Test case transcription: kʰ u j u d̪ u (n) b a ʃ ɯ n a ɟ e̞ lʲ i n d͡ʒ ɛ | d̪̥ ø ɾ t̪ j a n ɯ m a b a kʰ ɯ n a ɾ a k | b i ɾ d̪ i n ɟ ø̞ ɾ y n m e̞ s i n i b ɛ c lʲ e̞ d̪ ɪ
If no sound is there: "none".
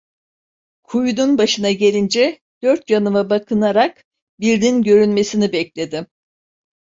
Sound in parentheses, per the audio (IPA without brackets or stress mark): n